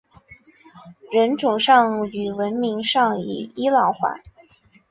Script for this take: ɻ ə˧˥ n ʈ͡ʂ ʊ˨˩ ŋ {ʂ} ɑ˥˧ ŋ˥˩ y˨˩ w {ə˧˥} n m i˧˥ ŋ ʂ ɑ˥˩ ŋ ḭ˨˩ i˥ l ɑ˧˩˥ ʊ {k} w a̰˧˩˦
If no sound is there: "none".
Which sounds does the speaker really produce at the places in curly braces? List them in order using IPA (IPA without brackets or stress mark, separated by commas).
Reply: ʂ, ə˧˥, x